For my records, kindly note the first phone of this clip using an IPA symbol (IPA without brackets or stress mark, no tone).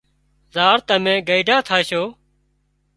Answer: z